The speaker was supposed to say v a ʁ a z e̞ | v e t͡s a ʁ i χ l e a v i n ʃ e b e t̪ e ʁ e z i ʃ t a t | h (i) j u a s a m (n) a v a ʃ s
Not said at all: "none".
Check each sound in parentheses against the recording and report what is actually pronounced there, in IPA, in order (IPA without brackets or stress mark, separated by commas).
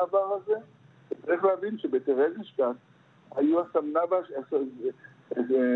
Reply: a, n